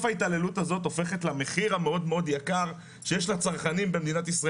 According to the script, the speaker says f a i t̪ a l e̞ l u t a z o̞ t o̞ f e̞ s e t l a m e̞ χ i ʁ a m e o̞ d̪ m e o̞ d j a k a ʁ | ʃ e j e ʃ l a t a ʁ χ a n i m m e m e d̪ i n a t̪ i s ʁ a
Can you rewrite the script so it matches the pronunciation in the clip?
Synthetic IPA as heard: f a i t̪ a l e̞ l u t a z o̞ t o̞ f e̞ χ e t l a m e̞ χ i ʁ a m e o̞ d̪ m e o̞ d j a k a ʁ | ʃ e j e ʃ l a t͡s a ʁ χ a n i m b e m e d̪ i n a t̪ i s ʁ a